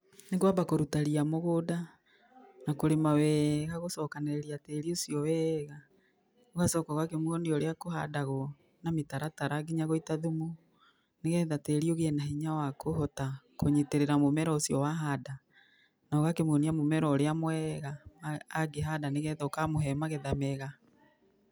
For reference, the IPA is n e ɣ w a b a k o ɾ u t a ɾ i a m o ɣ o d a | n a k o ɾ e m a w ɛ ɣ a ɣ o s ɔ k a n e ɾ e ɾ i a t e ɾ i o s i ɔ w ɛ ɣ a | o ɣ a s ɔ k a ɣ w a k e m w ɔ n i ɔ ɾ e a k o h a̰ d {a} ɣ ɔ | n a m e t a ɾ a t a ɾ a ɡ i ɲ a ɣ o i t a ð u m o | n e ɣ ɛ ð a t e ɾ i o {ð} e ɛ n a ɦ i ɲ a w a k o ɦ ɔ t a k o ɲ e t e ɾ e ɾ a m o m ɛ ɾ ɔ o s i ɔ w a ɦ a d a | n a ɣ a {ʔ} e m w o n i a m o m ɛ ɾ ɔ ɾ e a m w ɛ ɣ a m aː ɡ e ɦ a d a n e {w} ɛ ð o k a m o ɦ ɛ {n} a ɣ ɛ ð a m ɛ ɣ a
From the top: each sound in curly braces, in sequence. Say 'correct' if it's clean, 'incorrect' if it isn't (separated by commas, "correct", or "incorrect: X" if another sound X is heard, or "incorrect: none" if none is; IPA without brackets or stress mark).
correct, incorrect: ɣ, incorrect: k, incorrect: ɣ, incorrect: m